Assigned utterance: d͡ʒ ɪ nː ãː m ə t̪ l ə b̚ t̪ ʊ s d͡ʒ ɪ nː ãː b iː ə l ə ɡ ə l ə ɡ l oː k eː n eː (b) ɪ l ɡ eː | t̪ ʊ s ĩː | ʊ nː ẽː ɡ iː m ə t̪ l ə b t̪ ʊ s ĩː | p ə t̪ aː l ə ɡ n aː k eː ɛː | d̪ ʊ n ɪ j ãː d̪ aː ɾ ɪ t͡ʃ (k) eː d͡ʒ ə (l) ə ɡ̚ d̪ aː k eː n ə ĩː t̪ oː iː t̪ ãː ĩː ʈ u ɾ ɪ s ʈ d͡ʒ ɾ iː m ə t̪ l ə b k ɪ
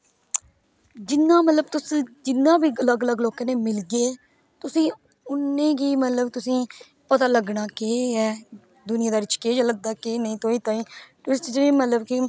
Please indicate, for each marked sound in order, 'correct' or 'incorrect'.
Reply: incorrect: m, correct, correct

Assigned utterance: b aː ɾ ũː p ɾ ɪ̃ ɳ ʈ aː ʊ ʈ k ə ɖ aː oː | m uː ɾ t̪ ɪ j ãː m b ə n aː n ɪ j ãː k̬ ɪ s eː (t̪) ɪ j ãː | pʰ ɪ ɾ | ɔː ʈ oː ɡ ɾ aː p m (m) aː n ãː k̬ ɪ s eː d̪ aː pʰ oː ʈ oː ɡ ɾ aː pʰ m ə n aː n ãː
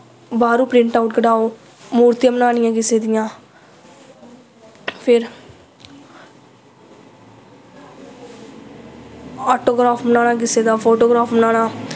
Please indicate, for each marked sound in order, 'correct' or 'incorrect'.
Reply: incorrect: d̪, incorrect: n

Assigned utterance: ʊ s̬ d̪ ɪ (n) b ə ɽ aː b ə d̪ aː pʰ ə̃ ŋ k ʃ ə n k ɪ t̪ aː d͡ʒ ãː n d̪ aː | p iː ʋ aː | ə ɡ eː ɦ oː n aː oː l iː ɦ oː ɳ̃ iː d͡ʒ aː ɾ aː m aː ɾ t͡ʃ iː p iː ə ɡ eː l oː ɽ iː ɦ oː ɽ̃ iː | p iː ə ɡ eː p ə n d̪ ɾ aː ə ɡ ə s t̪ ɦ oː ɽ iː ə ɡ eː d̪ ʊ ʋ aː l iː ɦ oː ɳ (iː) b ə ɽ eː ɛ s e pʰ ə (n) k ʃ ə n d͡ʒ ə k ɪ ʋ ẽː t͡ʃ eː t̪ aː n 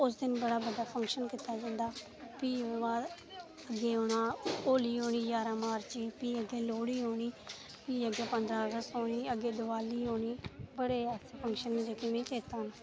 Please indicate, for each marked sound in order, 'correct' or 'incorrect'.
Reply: correct, correct, incorrect: ŋ

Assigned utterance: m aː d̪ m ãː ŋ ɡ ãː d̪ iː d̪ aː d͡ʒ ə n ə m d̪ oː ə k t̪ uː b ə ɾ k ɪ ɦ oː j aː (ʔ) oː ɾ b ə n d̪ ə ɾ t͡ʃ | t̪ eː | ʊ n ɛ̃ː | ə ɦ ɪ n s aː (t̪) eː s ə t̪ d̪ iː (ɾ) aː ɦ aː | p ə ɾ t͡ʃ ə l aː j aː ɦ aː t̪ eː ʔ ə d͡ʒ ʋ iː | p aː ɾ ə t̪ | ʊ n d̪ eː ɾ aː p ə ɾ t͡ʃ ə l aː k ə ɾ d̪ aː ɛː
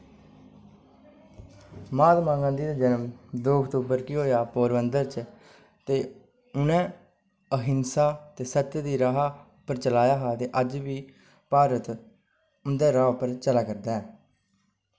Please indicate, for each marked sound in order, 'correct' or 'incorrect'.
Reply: incorrect: p, correct, correct

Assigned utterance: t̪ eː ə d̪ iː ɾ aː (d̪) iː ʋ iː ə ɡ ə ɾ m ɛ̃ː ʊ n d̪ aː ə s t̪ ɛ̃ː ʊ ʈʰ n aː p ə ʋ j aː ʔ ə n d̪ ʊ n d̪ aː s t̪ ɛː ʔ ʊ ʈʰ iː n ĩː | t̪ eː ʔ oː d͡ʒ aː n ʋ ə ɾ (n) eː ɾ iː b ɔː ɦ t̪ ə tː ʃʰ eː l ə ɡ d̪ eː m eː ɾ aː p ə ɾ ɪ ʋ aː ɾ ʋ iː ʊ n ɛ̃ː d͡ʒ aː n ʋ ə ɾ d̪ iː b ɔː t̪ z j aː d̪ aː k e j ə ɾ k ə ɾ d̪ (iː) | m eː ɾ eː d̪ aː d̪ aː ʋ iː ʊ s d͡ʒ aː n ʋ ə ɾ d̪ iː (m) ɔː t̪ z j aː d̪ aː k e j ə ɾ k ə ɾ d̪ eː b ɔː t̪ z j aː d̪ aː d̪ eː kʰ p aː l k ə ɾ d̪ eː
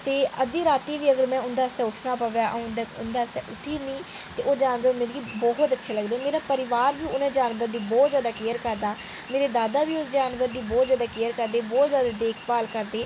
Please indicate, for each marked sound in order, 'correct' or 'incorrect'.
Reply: incorrect: t̪, incorrect: m, incorrect: aː, incorrect: b

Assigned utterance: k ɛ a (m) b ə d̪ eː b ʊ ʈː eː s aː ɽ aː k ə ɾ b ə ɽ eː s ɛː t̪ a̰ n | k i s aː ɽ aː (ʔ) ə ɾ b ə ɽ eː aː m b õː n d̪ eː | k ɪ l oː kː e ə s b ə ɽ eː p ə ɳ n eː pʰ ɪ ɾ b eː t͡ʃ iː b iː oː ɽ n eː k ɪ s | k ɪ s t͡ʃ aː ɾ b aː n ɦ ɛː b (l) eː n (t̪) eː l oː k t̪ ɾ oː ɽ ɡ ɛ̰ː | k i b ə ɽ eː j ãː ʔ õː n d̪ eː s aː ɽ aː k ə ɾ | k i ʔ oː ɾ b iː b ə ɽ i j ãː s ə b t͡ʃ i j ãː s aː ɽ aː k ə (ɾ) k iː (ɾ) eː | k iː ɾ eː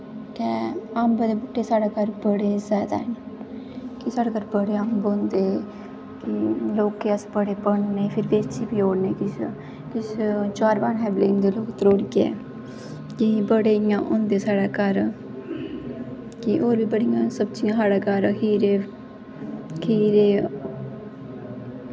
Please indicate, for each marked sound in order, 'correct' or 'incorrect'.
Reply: correct, incorrect: k, correct, incorrect: d̪, correct, correct

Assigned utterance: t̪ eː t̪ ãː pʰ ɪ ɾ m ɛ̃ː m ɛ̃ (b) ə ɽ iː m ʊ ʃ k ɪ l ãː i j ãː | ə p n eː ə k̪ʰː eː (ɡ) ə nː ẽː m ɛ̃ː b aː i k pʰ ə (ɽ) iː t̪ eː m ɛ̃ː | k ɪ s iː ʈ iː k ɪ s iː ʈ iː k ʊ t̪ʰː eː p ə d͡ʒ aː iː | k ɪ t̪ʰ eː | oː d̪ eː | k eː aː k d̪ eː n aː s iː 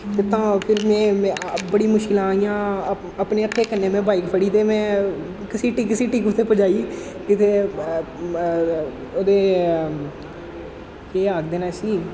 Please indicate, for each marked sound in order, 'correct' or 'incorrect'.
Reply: correct, incorrect: k, correct

